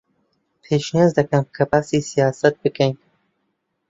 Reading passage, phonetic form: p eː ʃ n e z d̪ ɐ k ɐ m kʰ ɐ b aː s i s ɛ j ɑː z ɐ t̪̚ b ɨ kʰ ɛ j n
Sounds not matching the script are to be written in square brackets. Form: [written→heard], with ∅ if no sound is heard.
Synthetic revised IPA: [p→pʰ] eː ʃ n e z d̪ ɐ k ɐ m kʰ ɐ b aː s i s [ɛ→i] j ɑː [z→s] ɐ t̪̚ b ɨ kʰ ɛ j n